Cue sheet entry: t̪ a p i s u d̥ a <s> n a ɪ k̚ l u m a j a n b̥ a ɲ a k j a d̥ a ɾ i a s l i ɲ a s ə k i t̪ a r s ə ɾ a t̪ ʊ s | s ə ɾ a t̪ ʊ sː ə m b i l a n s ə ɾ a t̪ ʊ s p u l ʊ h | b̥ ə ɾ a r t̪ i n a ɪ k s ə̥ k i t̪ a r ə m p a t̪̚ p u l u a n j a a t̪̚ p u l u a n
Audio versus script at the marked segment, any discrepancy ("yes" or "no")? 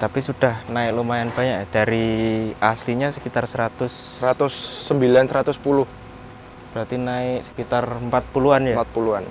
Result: yes